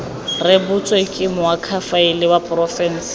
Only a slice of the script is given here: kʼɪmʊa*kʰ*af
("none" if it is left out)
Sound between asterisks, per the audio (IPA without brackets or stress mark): kʰ